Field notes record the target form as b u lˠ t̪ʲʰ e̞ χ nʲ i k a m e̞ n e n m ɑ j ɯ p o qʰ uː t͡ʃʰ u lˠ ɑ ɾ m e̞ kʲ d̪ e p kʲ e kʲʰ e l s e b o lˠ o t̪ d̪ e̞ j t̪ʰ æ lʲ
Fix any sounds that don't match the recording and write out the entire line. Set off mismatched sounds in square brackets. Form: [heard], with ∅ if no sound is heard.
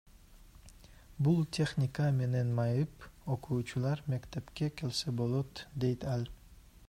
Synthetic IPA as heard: b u lˠ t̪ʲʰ e̞ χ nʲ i k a m e̞ n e n m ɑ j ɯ p o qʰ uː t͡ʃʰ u lˠ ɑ ɾ m e̞ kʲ [t̪] e p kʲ e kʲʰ e l s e b o lˠ o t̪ d̪ e̞ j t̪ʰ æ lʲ